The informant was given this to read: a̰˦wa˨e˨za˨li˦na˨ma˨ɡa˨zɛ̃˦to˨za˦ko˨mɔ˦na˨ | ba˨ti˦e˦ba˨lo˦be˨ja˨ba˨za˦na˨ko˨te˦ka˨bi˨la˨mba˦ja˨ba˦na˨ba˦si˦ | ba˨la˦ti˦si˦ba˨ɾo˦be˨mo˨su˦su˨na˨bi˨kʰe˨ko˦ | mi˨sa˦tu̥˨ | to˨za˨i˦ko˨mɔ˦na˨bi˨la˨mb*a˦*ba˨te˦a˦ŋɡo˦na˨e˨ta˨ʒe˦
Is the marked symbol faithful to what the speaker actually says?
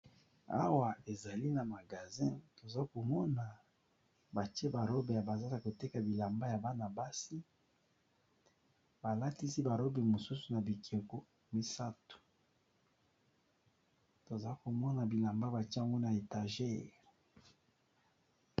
yes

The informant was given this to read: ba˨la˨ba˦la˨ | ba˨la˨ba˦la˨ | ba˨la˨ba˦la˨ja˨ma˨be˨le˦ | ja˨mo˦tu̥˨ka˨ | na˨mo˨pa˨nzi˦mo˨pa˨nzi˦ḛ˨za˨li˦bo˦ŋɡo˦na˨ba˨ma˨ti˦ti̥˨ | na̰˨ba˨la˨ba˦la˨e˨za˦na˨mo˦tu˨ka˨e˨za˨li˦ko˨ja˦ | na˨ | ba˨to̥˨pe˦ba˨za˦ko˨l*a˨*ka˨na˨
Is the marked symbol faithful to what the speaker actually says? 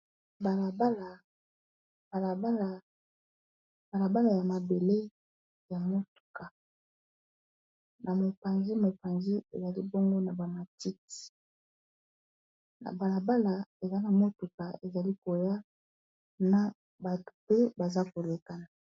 no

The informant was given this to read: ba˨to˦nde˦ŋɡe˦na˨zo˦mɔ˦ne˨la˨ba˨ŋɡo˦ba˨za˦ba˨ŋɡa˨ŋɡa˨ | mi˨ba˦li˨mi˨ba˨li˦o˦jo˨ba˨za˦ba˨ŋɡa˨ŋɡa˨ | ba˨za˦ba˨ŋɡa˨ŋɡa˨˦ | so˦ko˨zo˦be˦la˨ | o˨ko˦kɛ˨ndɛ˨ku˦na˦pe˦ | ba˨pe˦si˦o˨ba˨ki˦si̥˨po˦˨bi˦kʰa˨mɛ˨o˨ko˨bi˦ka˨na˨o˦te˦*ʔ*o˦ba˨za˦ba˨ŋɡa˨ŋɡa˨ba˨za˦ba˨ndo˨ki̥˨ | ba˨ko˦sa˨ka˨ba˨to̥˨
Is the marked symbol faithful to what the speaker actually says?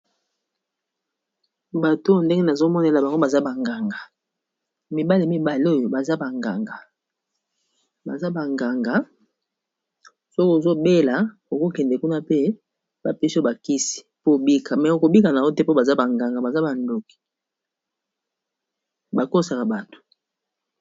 no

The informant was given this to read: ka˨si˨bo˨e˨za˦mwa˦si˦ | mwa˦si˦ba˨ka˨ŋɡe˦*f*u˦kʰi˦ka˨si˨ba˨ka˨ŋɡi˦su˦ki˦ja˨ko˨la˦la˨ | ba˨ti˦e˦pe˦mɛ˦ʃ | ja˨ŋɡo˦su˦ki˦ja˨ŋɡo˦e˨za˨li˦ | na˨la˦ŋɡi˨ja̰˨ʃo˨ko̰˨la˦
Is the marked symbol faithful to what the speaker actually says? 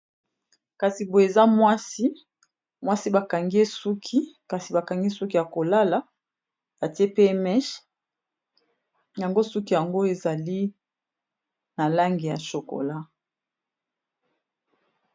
no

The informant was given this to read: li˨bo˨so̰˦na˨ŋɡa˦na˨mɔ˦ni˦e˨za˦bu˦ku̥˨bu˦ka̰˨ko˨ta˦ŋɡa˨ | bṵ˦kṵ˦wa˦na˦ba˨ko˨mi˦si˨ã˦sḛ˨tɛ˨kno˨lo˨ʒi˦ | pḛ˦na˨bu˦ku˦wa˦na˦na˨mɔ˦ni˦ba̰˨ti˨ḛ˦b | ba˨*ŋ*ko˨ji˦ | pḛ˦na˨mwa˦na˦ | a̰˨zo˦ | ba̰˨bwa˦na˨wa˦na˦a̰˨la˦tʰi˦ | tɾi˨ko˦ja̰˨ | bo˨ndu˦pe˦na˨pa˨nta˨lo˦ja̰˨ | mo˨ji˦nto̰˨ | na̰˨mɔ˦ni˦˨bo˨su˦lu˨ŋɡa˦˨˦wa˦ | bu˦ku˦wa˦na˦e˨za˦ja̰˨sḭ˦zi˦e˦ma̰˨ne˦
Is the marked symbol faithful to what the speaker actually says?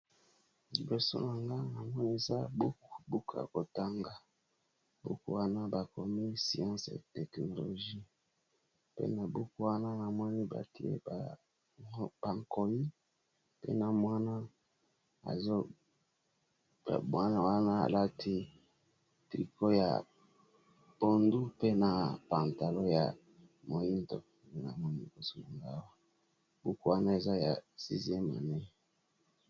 yes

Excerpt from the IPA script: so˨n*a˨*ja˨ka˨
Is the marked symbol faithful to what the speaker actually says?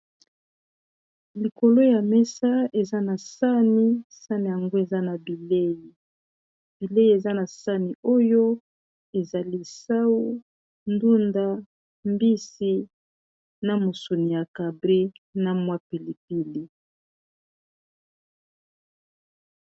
no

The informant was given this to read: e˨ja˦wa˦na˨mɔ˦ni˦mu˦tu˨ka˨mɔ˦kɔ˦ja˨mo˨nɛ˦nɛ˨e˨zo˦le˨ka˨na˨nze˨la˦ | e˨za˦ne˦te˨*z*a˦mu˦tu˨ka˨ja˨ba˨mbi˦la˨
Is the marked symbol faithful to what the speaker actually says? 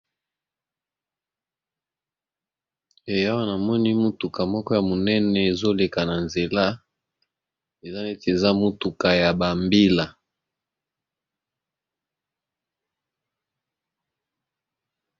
yes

